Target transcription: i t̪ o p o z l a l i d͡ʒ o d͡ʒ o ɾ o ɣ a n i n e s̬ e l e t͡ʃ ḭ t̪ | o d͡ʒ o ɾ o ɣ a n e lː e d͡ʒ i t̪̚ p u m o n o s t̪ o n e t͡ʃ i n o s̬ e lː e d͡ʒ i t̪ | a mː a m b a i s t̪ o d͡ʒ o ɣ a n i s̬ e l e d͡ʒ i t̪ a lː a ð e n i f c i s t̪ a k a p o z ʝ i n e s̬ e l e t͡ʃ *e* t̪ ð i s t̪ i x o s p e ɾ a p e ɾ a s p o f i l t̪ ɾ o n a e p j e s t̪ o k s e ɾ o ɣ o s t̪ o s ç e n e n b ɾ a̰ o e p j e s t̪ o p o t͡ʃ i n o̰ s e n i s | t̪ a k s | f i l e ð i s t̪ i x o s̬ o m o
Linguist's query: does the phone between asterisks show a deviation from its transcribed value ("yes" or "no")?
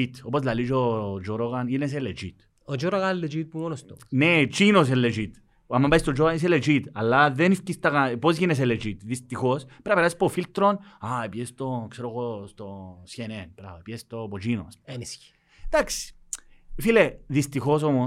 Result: yes